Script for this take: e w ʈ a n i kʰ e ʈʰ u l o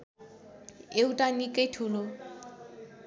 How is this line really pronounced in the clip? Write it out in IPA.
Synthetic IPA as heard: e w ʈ a n i k e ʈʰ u l o